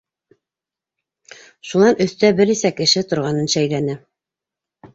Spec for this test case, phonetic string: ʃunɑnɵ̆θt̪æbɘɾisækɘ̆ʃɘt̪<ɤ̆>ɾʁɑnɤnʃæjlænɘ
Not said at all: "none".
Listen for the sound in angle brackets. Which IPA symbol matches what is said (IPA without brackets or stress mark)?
ŏ